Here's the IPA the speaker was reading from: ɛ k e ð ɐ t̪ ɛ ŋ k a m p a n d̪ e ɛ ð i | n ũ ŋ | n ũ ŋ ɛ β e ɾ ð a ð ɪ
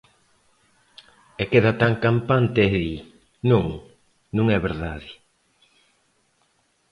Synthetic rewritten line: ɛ k e ð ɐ t̪ a ŋ k a m p a n t̪ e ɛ ð i | n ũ ŋ | n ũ ŋ ɛ β e ɾ ð a ð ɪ